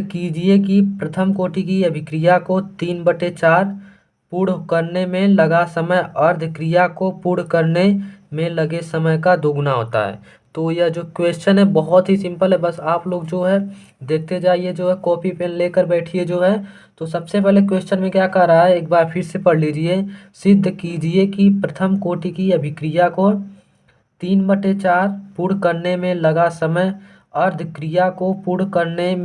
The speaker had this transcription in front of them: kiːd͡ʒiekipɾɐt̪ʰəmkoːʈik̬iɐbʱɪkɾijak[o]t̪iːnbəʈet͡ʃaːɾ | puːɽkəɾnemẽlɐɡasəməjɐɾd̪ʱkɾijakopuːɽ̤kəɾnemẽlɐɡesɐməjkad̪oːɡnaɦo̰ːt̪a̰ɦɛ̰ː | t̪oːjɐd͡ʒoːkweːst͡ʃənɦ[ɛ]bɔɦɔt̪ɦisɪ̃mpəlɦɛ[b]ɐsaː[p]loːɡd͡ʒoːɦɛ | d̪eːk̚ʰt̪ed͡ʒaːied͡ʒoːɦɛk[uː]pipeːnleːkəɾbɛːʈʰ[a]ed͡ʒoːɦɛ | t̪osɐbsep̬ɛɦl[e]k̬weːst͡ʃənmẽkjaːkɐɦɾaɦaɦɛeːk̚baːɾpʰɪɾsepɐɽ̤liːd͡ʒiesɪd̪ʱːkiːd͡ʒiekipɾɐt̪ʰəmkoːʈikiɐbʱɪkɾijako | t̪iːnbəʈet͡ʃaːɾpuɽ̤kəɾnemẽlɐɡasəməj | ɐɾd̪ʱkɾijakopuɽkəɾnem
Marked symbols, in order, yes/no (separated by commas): yes, yes, yes, yes, no, no, yes